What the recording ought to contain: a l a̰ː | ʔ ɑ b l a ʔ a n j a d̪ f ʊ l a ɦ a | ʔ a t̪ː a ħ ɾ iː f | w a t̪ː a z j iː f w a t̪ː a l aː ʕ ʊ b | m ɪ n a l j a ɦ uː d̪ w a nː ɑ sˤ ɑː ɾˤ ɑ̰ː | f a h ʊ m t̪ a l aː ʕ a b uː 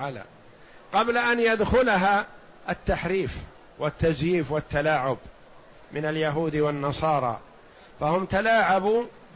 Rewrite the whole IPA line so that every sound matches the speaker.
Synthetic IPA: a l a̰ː | q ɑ b l a ʔ a n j a d̪ x ʊ l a ɦ a | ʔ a t̪ː a ħ ɾ iː f | w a t̪ː a z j iː f w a t̪ː a l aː ʕ ʊ b | m ɪ n a l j a ɦ uː d̪ w a nː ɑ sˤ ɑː ɾˤ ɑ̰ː | f a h ʊ m t̪ a l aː ʕ a b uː